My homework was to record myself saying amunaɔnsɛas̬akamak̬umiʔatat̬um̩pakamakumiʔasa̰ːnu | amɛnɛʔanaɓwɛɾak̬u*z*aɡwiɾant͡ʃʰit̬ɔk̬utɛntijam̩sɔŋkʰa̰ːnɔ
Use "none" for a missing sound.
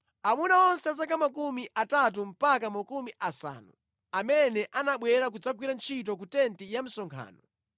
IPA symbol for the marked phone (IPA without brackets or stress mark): d͡z